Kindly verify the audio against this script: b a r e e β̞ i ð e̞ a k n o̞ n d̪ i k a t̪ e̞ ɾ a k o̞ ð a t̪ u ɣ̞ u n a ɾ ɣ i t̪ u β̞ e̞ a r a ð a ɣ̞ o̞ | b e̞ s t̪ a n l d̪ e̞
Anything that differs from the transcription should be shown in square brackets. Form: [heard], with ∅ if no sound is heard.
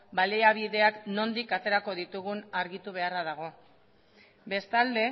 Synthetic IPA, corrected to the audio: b a [l] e [a] β̞ i ð e̞ a k n o̞ n d̪ i k a t̪ e̞ ɾ a k o̞ ð [i] t̪ u ɣ̞ u n a ɾ ɣ i t̪ u β̞ e̞ a r a ð a ɣ̞ o̞ | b e̞ s t̪ a [∅] l d̪ e̞